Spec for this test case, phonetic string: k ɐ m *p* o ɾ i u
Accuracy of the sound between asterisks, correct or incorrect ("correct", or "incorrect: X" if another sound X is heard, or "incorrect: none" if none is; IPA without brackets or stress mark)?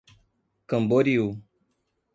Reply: incorrect: b